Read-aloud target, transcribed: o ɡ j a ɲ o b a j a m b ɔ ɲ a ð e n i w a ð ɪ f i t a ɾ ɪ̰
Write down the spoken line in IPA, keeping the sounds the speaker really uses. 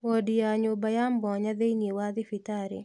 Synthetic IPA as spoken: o d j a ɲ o b a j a m b ɔ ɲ a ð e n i w a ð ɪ f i t a ɾ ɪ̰